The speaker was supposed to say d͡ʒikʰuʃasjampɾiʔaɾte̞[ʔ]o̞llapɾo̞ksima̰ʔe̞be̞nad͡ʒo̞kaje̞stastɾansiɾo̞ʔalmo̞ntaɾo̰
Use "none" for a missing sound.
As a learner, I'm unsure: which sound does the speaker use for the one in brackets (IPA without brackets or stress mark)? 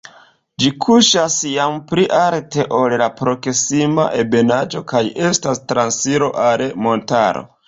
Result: ʔ